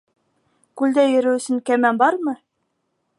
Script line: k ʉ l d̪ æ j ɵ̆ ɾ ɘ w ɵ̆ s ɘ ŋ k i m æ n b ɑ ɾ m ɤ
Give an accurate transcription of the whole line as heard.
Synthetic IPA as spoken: k ʉ l d̪ æ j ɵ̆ ɾ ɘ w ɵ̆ s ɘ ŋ k æ m æ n b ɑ ɾ m ɤ